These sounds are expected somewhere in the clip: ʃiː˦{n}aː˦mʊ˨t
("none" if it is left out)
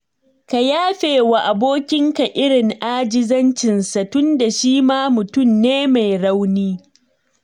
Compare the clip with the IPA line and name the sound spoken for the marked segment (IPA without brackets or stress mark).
m